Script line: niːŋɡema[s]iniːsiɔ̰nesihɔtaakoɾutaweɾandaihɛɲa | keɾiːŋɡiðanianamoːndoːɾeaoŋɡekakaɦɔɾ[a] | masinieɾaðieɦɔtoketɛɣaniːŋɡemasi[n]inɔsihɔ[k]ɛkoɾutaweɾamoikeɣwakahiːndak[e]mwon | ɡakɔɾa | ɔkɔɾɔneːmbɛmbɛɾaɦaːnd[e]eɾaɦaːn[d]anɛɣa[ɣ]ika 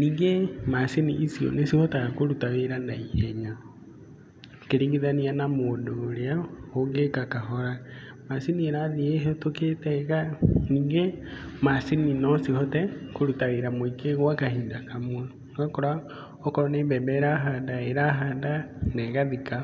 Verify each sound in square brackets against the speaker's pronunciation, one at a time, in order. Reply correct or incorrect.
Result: correct, correct, correct, incorrect, incorrect, incorrect, correct, incorrect

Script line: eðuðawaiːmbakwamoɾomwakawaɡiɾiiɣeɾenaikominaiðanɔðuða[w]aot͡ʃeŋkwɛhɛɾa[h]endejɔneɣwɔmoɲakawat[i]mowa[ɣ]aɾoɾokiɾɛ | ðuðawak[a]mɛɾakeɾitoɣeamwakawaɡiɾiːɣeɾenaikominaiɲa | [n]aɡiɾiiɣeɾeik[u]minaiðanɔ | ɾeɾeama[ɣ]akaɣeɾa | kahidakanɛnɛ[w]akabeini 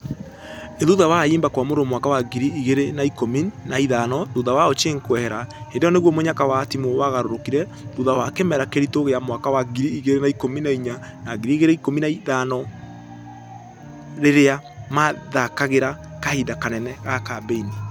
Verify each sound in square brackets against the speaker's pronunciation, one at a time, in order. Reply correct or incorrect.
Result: correct, correct, correct, correct, incorrect, correct, incorrect, incorrect, incorrect

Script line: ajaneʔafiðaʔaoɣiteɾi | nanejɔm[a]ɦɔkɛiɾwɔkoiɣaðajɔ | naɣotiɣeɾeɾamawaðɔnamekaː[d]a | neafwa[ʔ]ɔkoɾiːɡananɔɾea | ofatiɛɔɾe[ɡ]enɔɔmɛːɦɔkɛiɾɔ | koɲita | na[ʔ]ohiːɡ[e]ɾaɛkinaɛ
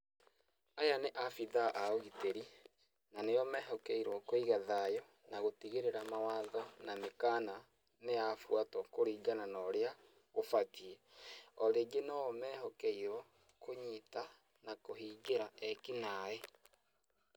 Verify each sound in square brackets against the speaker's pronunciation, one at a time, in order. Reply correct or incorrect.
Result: incorrect, incorrect, incorrect, correct, incorrect, correct

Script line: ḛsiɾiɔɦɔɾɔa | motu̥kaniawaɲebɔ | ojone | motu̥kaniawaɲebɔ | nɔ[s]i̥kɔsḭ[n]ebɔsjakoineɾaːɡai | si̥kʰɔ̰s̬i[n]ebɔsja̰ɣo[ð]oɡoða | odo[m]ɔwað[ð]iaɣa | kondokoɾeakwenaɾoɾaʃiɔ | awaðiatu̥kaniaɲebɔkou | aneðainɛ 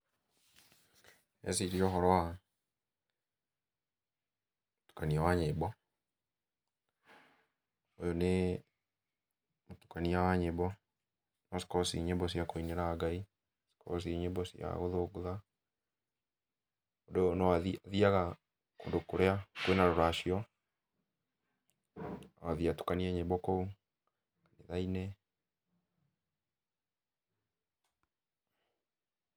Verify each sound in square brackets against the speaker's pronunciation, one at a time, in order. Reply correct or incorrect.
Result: correct, incorrect, incorrect, correct, incorrect, correct

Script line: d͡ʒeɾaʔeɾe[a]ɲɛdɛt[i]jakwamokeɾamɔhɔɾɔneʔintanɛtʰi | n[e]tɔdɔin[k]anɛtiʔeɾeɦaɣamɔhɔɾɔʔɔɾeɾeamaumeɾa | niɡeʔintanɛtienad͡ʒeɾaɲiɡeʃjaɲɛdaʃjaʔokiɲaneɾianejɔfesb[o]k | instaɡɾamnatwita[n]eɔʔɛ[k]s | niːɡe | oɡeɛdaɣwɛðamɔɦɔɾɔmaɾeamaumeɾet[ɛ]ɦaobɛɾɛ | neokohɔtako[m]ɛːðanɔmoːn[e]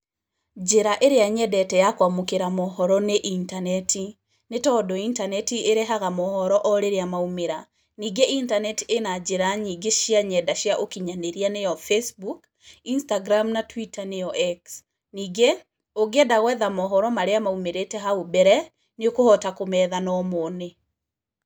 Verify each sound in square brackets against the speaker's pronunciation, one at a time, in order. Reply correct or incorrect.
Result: correct, incorrect, correct, incorrect, incorrect, correct, correct, correct, correct, correct

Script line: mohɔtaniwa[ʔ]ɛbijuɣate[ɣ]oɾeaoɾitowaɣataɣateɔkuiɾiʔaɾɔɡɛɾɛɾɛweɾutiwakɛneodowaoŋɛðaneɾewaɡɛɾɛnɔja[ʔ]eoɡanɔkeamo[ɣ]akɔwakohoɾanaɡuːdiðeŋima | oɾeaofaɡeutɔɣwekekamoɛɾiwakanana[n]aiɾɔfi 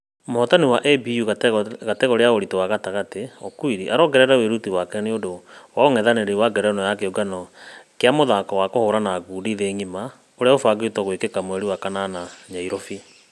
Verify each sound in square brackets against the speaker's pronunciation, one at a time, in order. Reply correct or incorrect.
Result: correct, correct, incorrect, incorrect, incorrect

